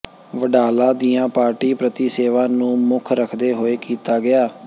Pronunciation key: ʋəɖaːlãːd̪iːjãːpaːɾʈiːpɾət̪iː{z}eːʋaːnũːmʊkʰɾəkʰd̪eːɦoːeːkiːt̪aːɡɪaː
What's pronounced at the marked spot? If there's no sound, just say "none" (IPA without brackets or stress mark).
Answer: s